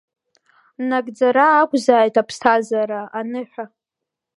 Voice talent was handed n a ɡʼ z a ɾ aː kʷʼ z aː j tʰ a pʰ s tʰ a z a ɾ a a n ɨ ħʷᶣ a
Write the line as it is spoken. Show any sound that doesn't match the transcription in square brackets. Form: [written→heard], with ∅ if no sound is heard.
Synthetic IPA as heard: n a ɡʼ [z→d͡z] a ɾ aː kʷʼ z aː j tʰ a pʰ s tʰ a z a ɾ a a n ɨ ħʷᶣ a